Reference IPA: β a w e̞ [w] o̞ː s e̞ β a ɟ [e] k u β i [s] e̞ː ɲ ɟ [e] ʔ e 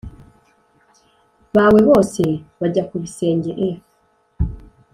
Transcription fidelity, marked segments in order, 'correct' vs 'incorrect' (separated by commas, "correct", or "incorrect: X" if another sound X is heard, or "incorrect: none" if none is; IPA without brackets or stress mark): incorrect: β, incorrect: a, correct, correct